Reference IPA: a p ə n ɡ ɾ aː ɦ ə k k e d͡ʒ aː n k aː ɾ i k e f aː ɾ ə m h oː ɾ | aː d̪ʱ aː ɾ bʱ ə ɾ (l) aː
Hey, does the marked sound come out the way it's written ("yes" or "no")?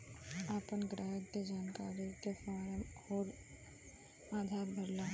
yes